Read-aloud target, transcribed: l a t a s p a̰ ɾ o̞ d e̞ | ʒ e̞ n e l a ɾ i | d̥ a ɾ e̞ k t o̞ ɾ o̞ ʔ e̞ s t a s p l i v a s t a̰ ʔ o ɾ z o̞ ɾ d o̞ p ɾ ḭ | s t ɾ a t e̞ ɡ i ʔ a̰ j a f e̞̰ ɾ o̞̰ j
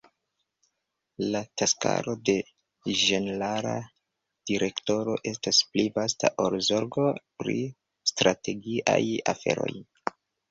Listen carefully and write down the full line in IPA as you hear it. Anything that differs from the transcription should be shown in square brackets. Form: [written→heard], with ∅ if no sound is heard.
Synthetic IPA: l a t a s [p→k] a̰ ɾ o̞ d e̞ | ʒ e̞ n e l a ɾ [i→a] | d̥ [a→i] ɾ e̞ k t o̞ ɾ o̞ ʔ e̞ s t a s p l i v a s t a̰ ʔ o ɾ z o̞ ɾ [d→ɡ] o̞ p ɾ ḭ | s t ɾ a t e̞ ɡ i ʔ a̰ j a f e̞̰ ɾ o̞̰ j